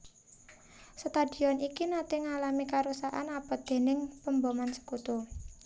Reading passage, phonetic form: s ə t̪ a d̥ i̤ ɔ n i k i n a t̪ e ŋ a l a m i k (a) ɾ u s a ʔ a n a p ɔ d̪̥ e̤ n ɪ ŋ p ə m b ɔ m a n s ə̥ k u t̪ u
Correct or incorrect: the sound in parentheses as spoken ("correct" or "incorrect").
correct